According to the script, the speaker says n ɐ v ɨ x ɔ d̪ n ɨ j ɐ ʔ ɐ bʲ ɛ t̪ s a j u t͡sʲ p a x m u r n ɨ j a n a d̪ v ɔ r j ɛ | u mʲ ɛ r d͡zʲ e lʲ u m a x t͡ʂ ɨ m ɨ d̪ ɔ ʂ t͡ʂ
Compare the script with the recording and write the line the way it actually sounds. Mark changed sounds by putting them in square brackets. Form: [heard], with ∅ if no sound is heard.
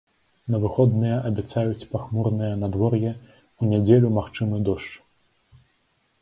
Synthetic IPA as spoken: n ɐ v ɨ x ɔ d̪ n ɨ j ɐ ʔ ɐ bʲ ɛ t̪ s a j u t͡sʲ p a x m u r n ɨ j [ɐ] n a d̪ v ɔ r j ɛ | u [nʲ] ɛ [∅] d͡zʲ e lʲ u m a x t͡ʂ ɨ m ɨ d̪ ɔ ʂ t͡ʂ